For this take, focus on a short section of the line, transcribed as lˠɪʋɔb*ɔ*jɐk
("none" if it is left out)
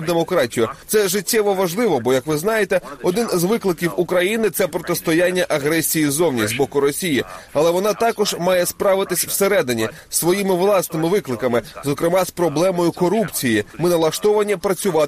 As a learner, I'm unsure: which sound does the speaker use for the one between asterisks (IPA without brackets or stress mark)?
ɔ